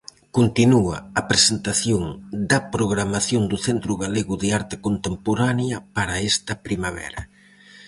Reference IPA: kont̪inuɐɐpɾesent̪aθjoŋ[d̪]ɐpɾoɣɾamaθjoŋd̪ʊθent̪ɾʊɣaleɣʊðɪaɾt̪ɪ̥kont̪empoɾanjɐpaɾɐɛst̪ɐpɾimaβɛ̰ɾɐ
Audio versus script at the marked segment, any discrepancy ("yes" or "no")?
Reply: no